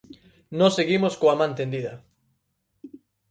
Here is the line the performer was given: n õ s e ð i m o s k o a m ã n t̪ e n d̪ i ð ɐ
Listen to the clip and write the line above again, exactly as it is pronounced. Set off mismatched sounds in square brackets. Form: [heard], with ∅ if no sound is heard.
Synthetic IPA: n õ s e [ɣ] i m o s k o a m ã n t̪ e n d̪ i ð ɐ

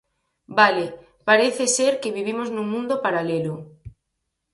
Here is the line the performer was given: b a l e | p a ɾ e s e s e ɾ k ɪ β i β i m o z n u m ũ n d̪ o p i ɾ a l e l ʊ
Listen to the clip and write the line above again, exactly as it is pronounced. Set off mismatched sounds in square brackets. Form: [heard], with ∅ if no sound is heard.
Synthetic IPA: b a l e | p a ɾ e [θ] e s e ɾ k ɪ β i β i m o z n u m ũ n d̪ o p [a] ɾ a l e l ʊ

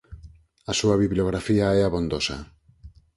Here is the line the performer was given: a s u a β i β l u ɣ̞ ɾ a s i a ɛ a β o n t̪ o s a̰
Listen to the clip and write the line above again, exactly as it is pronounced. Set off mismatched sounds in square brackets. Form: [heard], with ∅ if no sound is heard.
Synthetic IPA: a s u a β i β l [o] ɣ̞ ɾ a [f] i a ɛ a β o n [d̪] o s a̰

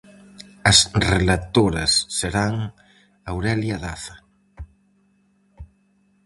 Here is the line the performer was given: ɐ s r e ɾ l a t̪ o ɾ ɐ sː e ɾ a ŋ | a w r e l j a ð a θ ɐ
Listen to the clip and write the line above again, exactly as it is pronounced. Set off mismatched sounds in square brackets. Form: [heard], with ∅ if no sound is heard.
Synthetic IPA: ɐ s r e [∅] l a t̪ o ɾ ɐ sː e ɾ a ŋ | a w [ɾ] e l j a ð a θ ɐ

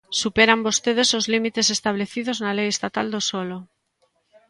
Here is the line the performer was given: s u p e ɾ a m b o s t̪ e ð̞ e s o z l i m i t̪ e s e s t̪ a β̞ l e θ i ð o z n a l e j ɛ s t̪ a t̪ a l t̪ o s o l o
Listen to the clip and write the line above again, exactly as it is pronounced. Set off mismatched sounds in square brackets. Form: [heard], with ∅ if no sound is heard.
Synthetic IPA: s u p e ɾ a m b o s t̪ e ð̞ e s o z l i m i t̪ e s e s t̪ a β̞ l e θ i ð o z n a l e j [e] s t̪ a t̪ a l [d̪] o s o l o

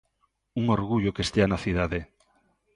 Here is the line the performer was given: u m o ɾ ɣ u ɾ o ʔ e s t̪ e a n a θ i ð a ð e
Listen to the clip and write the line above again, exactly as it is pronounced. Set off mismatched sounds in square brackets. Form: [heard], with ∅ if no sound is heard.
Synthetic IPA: u [ŋ] o ɾ ɣ u [ʎ] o [k] e s t̪ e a n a θ i ð a ð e

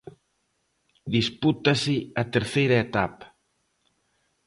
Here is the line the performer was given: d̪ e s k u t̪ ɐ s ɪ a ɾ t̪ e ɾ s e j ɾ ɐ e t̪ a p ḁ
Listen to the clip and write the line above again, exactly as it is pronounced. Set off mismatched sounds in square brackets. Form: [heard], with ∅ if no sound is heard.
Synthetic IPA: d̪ [i] s [p] u t̪ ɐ s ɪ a [∅] t̪ e ɾ [θ] e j ɾ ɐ e t̪ a p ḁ

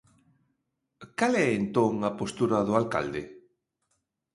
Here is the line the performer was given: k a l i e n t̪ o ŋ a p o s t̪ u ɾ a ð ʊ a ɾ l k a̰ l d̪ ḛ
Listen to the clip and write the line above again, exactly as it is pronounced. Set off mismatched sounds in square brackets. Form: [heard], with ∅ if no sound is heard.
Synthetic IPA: k a l [ɛ] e n t̪ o ŋ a p o s t̪ u ɾ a ð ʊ a [∅] l k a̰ l d̪ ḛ

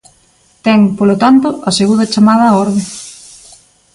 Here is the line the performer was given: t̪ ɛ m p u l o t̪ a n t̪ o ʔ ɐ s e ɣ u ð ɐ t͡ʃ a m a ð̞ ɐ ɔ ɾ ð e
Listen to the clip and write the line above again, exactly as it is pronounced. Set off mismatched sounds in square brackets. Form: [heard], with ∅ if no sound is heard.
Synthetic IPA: t̪ ɛ [ŋ] p [o] l o t̪ a n t̪ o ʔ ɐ s e ɣ u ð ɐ t͡ʃ a m a ð̞ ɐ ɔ ɾ ð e

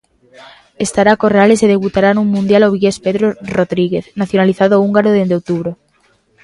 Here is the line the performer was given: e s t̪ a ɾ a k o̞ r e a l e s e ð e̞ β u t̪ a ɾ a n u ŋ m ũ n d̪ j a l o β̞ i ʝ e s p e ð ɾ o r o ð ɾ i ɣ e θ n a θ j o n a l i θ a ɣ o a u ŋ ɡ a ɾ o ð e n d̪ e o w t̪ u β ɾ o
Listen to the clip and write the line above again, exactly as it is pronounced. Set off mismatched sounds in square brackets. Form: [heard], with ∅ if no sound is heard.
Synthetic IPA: e s t̪ a ɾ a k o̞ r e a l e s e ð e̞ β u t̪ a ɾ a n u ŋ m ũ n d̪ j a l o β̞ i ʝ e s p e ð ɾ o r o ð ɾ i ɣ e θ n a θ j o n a l i θ a [ð] o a u ŋ ɡ a ɾ o ð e n d̪ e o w t̪ u β ɾ o

